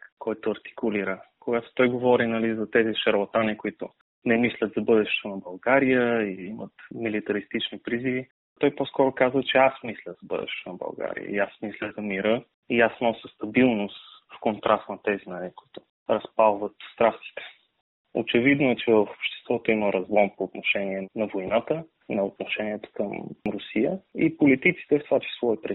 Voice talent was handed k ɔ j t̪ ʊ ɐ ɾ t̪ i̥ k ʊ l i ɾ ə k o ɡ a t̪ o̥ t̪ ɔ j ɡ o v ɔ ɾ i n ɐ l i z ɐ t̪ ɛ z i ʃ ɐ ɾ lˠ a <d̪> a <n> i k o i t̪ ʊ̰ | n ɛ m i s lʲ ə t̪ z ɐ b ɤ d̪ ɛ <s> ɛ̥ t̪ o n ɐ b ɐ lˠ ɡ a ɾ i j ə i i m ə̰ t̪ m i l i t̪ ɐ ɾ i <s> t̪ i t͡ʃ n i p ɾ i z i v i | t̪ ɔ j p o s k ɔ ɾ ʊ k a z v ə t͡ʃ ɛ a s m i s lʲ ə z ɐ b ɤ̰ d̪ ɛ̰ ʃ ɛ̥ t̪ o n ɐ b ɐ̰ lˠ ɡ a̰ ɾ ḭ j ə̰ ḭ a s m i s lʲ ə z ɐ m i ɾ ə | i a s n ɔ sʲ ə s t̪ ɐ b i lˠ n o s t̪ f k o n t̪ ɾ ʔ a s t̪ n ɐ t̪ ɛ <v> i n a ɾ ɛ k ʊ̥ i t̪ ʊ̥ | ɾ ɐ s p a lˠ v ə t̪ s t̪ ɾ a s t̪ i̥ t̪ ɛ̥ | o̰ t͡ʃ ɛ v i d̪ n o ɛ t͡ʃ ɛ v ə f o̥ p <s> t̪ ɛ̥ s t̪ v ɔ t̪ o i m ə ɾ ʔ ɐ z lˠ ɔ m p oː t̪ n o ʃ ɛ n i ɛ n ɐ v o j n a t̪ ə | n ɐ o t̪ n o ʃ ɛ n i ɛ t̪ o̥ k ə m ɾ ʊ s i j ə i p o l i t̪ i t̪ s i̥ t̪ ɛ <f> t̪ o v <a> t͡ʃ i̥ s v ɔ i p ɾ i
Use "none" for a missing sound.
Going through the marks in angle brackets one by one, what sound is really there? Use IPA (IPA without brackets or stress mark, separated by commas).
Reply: t̪, n, ʃ, s, z, ʃ, f, a